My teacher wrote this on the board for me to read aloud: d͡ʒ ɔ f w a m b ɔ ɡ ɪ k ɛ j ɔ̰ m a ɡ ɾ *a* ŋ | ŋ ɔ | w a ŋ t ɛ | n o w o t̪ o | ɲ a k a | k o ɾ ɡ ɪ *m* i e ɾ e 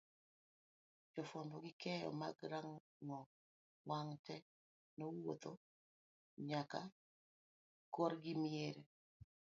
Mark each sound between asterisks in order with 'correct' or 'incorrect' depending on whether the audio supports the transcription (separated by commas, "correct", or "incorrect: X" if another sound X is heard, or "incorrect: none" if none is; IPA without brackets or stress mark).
correct, correct